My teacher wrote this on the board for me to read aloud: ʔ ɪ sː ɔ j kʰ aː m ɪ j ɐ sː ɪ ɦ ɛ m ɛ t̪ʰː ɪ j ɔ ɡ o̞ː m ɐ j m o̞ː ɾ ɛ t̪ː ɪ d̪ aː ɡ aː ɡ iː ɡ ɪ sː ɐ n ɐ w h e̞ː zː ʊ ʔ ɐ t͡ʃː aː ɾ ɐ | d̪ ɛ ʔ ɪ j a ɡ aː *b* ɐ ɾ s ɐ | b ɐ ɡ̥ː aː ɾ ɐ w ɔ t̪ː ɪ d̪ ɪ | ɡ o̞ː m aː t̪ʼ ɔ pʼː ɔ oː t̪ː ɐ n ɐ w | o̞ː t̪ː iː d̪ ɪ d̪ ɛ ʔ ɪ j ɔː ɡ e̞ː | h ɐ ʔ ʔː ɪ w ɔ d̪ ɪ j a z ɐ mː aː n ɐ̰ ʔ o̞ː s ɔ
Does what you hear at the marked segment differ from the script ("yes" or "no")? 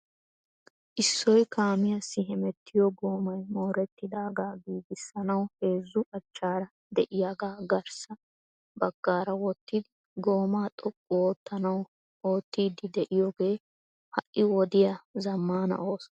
yes